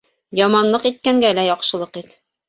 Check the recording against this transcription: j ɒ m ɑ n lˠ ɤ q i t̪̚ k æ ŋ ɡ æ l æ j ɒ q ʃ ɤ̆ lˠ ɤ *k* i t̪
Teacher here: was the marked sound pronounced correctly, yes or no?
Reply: no